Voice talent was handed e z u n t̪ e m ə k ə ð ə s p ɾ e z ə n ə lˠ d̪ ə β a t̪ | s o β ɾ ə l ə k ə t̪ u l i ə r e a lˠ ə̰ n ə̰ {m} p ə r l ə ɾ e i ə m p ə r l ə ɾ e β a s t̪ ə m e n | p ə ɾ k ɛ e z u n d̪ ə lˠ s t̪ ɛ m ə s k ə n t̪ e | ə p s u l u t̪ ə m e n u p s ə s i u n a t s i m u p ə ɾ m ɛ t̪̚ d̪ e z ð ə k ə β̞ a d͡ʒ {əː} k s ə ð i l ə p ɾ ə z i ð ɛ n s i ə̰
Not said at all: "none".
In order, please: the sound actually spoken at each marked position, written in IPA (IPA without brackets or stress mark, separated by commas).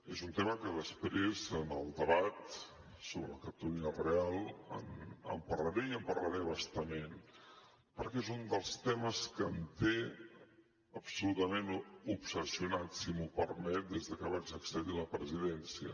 m, ə